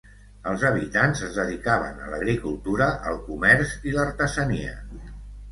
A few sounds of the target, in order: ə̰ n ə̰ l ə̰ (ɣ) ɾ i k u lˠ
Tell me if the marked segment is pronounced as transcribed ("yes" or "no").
yes